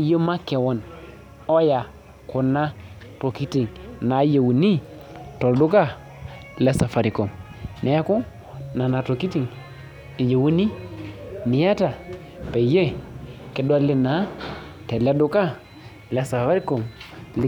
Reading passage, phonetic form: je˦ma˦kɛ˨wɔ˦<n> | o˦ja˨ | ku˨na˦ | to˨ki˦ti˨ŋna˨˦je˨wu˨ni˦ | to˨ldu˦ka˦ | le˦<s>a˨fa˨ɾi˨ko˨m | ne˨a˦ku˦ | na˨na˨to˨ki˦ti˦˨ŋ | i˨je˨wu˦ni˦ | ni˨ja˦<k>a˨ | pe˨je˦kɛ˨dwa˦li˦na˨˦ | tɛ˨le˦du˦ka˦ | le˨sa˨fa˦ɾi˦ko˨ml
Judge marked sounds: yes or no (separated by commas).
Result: yes, yes, no